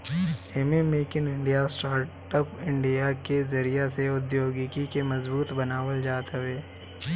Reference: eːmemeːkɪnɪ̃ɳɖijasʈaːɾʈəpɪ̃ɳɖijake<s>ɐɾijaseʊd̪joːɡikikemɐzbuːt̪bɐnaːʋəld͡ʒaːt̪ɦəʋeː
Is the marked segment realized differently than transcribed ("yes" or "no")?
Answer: yes